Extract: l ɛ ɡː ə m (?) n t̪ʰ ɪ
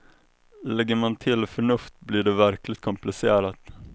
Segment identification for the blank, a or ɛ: a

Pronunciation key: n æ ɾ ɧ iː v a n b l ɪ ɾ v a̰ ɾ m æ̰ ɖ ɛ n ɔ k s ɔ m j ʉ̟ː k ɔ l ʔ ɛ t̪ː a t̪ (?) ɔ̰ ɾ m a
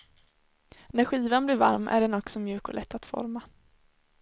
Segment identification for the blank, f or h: f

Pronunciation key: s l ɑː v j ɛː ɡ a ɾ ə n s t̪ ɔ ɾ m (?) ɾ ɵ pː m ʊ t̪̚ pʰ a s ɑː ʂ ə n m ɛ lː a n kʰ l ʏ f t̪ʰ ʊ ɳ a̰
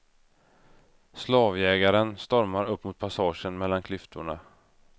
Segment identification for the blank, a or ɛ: a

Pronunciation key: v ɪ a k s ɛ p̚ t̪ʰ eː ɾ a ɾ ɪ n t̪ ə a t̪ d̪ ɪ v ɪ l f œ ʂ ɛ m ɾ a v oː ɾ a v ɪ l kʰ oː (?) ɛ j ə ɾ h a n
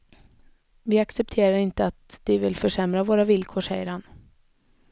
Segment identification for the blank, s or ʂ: ʂ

